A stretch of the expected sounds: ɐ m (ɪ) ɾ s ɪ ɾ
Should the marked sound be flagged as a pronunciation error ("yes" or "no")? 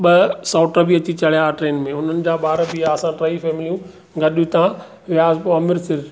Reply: no